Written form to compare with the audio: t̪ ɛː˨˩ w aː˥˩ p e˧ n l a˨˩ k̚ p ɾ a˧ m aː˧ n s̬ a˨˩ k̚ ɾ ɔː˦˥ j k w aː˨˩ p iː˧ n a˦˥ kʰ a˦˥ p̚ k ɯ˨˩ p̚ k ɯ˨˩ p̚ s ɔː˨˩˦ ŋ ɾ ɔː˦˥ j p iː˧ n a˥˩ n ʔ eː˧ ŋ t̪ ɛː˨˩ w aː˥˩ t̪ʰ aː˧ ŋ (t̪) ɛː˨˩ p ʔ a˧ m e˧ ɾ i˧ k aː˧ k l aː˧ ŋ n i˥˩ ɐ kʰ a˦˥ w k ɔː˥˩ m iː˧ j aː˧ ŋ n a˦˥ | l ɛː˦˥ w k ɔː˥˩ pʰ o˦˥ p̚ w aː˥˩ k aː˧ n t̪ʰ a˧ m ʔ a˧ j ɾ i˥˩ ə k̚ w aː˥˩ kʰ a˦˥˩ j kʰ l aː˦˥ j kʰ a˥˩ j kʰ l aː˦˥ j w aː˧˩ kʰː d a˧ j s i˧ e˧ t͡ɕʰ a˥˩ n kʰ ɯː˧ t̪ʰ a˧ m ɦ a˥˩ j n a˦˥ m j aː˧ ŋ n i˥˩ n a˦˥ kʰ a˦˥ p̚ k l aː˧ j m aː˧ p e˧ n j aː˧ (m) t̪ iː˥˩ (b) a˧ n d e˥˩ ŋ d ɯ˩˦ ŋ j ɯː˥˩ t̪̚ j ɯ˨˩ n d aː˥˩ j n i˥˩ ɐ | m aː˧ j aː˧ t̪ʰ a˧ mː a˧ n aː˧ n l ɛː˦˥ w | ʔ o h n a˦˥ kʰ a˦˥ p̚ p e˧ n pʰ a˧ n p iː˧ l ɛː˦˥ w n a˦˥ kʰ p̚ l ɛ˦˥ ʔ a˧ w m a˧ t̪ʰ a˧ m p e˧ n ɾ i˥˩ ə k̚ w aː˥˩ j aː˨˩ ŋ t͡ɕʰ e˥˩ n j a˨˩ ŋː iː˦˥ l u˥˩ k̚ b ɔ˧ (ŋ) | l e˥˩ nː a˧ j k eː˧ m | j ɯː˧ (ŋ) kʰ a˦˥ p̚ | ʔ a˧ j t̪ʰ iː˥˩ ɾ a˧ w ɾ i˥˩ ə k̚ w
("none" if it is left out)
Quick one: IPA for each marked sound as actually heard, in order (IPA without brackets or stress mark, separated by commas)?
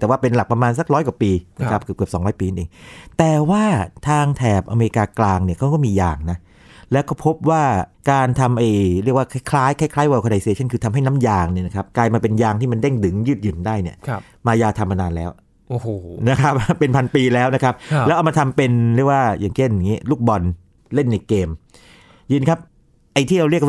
t̪ʰ, ŋ, m, n, n